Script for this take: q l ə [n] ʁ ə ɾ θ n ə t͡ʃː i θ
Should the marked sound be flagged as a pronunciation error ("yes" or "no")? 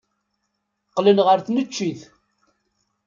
no